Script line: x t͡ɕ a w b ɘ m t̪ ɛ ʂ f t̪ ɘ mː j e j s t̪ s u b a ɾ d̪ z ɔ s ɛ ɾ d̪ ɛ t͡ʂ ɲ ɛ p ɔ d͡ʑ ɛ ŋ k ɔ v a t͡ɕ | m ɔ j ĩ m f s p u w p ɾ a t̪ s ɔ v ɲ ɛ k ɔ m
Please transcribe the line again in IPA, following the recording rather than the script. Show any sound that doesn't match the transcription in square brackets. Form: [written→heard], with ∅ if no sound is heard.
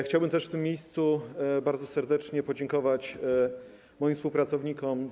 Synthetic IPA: x t͡ɕ a w b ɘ m t̪ ɛ ʂ f t̪ ɘ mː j e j s t̪ s u b a ɾ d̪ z ɔ s ɛ ɾ d̪ ɛ t͡ʂ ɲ ɛ p ɔ d͡ʑ ɛ ŋ k ɔ v a t͡ɕ | m ɔ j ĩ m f s p u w p ɾ a t̪ s ɔ v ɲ [ɛ→i] k ɔ m